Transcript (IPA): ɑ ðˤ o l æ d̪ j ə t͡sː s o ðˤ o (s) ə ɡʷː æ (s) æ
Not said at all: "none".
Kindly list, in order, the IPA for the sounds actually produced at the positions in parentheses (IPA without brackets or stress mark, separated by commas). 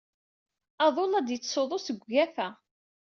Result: s, f